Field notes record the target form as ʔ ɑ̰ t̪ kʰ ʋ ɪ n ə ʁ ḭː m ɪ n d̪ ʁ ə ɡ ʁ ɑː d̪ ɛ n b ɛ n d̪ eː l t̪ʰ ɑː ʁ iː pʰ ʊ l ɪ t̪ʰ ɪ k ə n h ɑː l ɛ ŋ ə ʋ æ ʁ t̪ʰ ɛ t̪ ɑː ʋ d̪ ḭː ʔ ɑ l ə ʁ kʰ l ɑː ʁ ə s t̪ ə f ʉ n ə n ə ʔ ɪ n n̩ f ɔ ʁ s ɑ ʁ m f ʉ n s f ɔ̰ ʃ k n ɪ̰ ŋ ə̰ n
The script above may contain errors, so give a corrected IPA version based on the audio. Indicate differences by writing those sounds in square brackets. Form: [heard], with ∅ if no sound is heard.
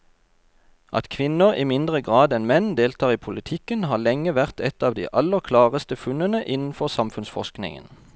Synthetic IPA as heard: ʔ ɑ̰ t̪ kʰ ʋ ɪ n ə ʁ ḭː m ɪ n d̪ ʁ ə ɡ ʁ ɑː d̪ ɛ n [m] ɛ n d̪ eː l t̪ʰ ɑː ʁ iː pʰ ʊ l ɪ t̪ʰ ɪ k ə n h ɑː l ɛ ŋ ə ʋ æ ʁ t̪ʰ ɛ t̪ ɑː ʋ d̪ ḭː ʔ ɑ l ə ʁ kʰ l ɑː ʁ ə s t̪ ə f ʉ n ə n ə ʔ ɪ n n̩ f ɔ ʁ s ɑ [∅] m f ʉ n s f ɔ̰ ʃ k n ɪ̰ ŋ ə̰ n